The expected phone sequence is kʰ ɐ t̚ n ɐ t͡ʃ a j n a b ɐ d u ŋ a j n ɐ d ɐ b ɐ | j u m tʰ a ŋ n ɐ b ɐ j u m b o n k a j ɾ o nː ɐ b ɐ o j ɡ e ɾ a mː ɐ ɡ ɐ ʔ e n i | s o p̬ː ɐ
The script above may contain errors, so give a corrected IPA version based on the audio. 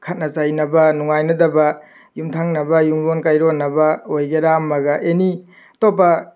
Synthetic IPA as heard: kʰ ɐ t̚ n ɐ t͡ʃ a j n ɐ b ɐ n u ŋ a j n ɐ d ɐ b ɐ | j u m tʰ a ŋ n ɐ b ɐ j u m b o n k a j ɾ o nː ɐ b ɐ o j ɡ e ɾ a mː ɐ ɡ ɐ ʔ e n i | t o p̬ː ɐ